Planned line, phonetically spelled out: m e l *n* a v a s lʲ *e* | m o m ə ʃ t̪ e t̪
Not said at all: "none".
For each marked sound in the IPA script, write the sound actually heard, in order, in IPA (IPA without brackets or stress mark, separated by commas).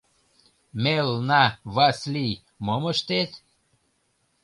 n, i